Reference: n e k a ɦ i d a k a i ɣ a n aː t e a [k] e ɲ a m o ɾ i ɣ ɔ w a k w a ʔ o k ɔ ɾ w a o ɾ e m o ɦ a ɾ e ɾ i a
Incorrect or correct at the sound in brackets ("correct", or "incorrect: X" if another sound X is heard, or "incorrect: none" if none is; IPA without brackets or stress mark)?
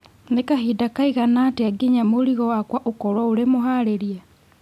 incorrect: ɡ